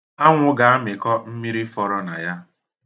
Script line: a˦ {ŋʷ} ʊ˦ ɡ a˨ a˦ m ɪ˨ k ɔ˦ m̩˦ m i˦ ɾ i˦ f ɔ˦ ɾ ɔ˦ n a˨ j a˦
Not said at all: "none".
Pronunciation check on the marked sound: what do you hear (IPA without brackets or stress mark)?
ŋʷ